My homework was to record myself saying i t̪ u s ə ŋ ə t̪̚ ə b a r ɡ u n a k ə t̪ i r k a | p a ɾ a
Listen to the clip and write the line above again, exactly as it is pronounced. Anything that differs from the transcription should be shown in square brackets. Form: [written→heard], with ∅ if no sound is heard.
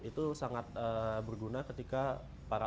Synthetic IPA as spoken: i t̪ u s [ə→a] ŋ [ə→a] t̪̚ ə b [a→ə] r ɡ u n a k ə t̪ i [r→∅] k a | p a ɾ a

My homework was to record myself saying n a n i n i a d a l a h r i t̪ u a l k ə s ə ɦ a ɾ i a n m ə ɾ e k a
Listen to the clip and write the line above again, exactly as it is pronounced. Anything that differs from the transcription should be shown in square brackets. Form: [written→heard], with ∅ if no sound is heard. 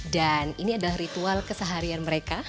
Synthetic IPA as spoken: [n→d] a n i n i a d a l a h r i t̪ u a l k ə s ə ɦ a ɾ i a n m ə ɾ e k a

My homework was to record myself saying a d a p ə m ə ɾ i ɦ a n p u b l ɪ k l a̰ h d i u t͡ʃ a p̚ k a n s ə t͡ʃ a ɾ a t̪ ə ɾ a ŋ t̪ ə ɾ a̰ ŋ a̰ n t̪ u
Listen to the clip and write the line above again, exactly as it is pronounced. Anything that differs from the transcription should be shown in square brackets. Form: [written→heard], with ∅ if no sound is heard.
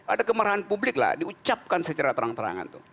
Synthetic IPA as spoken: a d a [p→k] ə m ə ɾ [i→a] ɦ a n p u b l ɪ k l a̰ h d i u t͡ʃ a p̚ k a n s ə t͡ʃ a ɾ a t̪ ə ɾ a ŋ t̪ ə ɾ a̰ ŋ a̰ n t̪ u

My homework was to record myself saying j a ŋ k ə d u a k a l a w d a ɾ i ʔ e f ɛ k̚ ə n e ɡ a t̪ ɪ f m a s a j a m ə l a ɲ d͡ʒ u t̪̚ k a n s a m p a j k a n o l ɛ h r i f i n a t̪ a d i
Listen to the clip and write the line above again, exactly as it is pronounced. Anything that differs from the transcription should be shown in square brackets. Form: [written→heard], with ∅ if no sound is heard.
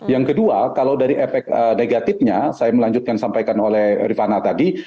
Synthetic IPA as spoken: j a ŋ k ə d u a k a l a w d a ɾ i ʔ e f ɛ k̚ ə n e ɡ a t̪ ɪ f [m→ɲ] a s a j a m ə l a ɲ d͡ʒ u t̪̚ k a n s a m p a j k a n o l ɛ h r i f [i→a] n a t̪ a d i

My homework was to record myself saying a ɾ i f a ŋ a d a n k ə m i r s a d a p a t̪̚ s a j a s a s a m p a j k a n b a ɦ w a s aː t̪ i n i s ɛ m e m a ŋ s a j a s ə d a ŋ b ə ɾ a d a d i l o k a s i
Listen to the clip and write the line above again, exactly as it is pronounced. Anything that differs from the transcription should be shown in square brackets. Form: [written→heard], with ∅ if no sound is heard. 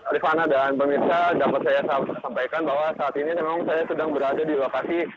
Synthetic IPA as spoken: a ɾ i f a [ŋ→n] a d a n [k→p] ə m i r s a d a p a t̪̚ s a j a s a s a m p a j k a n b a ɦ w a s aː t̪ i n i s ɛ m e m a ŋ s a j a s ə d a ŋ b ə ɾ a d a d i l o k a s i

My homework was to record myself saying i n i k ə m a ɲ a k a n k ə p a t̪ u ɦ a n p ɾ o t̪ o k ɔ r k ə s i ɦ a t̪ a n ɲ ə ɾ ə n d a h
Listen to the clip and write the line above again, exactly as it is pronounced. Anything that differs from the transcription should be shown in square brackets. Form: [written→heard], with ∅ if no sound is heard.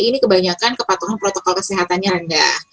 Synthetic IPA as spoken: i n i k ə [m→b] a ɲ a k a n k ə p a t̪ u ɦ a n p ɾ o t̪ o k ɔ [r→l] k ə s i ɦ a t̪ a n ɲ [ə→a] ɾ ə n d a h

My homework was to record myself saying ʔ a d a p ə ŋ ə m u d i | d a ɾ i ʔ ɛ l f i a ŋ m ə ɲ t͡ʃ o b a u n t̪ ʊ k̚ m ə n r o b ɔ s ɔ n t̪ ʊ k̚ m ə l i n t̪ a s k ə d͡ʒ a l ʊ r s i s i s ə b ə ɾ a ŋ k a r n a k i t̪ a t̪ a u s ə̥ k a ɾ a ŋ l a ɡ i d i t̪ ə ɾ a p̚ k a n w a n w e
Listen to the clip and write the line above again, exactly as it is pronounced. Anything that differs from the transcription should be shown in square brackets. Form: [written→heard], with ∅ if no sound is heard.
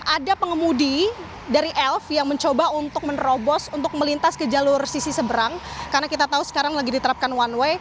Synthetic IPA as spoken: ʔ a d a p ə ŋ ə m u d i | d a ɾ i ʔ ɛ l f [i→j] a ŋ m ə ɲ t͡ʃ o b a u n t̪ ʊ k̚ m ə n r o b ɔ s [ɔ→u] n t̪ ʊ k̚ m ə l i n t̪ a s k ə d͡ʒ a l ʊ r s i s i s ə b ə ɾ a ŋ k a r n a k i t̪ a t̪ a u s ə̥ k a ɾ a ŋ l a ɡ i d i t̪ ə ɾ a p̚ k a n w a n w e

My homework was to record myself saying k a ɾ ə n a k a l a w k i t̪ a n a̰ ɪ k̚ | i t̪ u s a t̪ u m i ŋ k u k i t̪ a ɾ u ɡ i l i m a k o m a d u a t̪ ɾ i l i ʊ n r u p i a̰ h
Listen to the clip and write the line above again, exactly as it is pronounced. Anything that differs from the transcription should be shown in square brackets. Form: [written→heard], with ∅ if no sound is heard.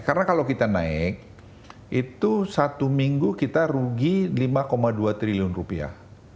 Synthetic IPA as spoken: k a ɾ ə n a k a l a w k i t̪ a n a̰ ɪ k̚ | i t̪ u s a t̪ u m i ŋ [k→ɡ] u k i t̪ a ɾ u ɡ i l i m a k o m a d u a t̪ ɾ i l i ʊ n r u p i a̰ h

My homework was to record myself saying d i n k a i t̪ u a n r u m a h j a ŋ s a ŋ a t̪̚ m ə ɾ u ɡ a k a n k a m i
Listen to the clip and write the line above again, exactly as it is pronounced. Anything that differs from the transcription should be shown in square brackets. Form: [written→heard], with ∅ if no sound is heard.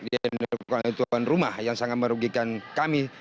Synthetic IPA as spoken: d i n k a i t̪ u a n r u m a h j a ŋ s a ŋ a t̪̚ m ə ɾ u ɡ [a→i] k a n k a m i

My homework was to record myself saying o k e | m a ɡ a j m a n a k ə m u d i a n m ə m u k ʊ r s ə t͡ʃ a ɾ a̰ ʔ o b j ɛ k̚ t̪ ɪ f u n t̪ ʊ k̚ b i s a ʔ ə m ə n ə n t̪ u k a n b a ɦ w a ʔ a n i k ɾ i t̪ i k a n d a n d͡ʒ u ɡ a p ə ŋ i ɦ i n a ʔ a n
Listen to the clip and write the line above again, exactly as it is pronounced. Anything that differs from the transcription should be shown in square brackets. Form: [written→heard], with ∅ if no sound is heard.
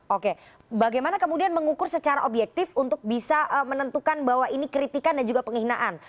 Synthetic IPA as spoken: o k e | [m→b] a ɡ a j m a n a k ə m u d i a n m ə [m→ŋ] u k ʊ r s ə t͡ʃ a ɾ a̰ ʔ o b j ɛ k̚ t̪ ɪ f u n t̪ ʊ k̚ b i s a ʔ ə m ə n ə n t̪ u k a n b a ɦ w a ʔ [a→i] n i k ɾ i t̪ i k a n d a n d͡ʒ u ɡ a p ə ŋ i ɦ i n a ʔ a n

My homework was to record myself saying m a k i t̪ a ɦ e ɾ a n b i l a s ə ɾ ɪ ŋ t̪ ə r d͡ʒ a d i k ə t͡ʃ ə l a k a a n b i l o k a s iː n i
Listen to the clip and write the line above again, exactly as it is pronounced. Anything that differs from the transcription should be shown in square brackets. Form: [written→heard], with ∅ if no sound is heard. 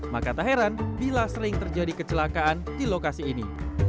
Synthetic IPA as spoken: m a k [i→a] t̪ a ɦ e ɾ a n b i l a s ə ɾ ɪ ŋ t̪ ə r d͡ʒ a d i k ə t͡ʃ ə l a k a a n [b→d] i l o k a s iː n i

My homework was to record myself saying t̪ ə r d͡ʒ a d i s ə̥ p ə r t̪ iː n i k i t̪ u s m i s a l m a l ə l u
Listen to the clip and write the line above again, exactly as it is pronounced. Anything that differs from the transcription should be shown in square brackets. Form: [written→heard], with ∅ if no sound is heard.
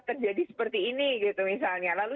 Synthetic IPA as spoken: t̪ ə r d͡ʒ a d i s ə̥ p ə r t̪ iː n i [k→ɡ] i t̪ u [s→∅] m i s a l [m→ɲ] a l [ə→a] l u

